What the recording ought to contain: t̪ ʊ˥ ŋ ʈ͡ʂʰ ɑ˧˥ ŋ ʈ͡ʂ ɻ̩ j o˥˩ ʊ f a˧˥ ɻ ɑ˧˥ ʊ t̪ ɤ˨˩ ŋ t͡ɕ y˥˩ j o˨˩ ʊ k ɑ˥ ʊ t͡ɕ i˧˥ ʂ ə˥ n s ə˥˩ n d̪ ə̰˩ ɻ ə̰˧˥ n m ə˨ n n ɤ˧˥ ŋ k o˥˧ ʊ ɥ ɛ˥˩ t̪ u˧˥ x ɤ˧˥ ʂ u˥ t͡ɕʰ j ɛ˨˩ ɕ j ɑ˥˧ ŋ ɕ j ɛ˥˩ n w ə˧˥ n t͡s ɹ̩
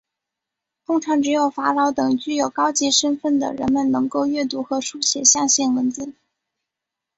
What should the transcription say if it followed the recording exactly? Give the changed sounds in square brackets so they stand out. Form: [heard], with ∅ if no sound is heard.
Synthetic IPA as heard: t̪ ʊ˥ ŋ ʈ͡ʂʰ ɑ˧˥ ŋ ʈ͡ʂ ɻ̩ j [o˨˩] ʊ f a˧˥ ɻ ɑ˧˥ ʊ t̪ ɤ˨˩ ŋ t͡ɕ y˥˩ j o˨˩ ʊ k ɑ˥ ʊ t͡ɕ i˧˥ ʂ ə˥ n [f] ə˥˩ n d̪ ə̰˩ ɻ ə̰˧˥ n m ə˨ n n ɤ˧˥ ŋ k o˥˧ ʊ ɥ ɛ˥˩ t̪ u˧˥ x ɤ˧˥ ʂ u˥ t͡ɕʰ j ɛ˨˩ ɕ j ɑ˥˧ ŋ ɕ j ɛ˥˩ n w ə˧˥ n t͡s ɹ̩